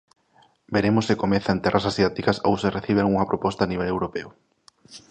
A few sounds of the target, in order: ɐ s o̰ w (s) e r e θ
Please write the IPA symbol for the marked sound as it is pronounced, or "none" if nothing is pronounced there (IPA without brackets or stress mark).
s